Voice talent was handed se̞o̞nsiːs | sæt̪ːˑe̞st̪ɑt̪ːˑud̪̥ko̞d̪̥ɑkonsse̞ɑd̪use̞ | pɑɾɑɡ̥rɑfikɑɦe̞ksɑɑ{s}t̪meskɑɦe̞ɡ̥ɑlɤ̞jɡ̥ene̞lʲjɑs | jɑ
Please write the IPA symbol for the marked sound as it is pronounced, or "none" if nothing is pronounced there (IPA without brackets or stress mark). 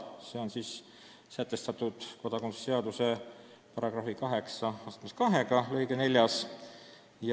s